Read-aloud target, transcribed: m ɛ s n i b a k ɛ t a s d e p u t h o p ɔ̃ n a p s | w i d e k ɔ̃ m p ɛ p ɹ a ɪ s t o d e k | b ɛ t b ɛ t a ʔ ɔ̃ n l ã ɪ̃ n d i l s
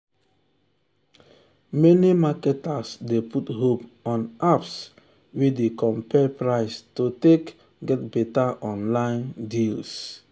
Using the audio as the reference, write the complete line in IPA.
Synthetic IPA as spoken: m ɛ n i m a k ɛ t a s d e p u t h o p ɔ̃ n a p s | w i d e k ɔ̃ m p ɛ p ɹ a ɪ s t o t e k | ɡ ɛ t b ɛ t a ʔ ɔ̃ n l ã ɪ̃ n d i l s